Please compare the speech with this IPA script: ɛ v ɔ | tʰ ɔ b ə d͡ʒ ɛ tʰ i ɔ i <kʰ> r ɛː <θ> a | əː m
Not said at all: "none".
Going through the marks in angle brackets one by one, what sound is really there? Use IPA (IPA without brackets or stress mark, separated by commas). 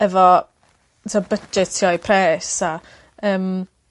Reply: pʰ, s